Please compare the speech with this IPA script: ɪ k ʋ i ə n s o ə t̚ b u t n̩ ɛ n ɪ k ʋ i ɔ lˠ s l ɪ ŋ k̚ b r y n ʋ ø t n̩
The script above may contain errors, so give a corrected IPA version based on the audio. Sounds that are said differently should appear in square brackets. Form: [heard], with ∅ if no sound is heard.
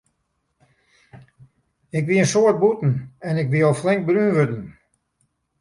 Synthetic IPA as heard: ɪ k ʋ i ə n s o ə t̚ b u t n̩ ɛ n ɪ k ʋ i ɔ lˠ [f] l ɪ ŋ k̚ b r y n ʋ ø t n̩

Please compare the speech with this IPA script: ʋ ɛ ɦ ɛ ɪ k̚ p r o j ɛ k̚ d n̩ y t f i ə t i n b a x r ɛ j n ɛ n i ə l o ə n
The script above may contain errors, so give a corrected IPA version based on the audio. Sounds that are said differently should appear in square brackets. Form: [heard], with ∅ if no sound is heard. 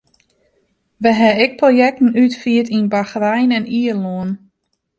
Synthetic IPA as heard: ʋ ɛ ɦ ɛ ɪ k̚ p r o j ɛ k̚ [t] n̩ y t f i ə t i n b a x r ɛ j n ɛ n i ə l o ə n

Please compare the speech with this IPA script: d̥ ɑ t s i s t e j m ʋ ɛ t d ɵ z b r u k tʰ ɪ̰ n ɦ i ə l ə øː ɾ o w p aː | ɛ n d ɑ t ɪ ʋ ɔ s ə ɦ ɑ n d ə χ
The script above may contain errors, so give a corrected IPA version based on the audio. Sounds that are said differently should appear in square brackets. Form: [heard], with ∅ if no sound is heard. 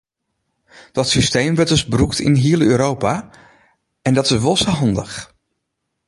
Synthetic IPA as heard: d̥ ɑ t s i s t e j m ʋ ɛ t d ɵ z b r u k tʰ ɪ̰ n ɦ i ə l ə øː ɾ o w p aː | ɛ n d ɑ t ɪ ʋ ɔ s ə ɦ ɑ n d ə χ

